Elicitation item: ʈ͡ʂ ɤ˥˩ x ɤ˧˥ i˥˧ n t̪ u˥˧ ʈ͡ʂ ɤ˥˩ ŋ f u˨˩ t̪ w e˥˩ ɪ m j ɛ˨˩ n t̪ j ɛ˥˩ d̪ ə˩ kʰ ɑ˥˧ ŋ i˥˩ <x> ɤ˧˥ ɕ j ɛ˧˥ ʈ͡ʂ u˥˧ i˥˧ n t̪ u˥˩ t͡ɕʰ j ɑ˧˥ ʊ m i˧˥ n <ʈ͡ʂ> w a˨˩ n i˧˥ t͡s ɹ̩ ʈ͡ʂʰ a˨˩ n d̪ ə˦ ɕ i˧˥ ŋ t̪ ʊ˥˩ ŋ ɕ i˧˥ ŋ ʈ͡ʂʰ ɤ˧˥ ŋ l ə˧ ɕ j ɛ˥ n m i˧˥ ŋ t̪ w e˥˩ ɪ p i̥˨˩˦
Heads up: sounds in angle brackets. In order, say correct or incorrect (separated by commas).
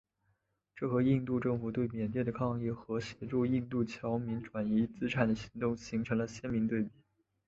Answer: correct, correct